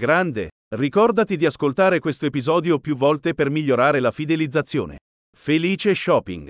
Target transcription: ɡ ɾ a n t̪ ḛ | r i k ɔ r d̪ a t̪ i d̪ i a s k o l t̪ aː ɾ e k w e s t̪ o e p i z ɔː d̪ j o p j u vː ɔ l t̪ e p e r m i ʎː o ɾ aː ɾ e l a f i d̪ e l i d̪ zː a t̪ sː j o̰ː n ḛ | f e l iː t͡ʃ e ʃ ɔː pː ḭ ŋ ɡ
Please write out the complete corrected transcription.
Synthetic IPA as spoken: ɡ ɾ a n d̪ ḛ | r i k ɔ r d̪ a t̪ i d̪ i a s k o l t̪ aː ɾ e k w e s t̪ o e p i z ɔː d̪ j o p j u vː ɔ l t̪ e p e r m i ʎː o ɾ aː ɾ e l a f i d̪ e l i d̪ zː a t̪ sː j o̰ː n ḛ | f e l iː t͡ʃ e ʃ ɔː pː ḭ ŋ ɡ